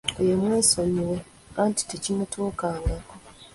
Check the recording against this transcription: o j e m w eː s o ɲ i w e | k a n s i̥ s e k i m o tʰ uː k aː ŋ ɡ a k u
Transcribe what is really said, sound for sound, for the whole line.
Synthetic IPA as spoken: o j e m w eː s o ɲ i w e | k a n t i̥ t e c i n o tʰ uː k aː ŋ ɡ a k o